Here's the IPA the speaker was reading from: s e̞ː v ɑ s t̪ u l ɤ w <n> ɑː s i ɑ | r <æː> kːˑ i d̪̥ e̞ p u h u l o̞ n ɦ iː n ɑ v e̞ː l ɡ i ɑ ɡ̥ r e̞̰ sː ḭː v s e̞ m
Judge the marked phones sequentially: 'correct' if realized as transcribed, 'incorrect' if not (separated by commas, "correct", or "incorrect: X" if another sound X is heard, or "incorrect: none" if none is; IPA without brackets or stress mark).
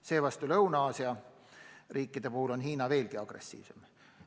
correct, incorrect: iː